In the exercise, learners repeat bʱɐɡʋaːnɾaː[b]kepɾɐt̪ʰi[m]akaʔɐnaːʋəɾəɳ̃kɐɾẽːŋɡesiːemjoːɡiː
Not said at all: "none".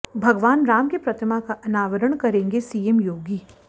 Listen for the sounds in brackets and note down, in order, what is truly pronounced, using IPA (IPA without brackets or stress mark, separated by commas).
m, m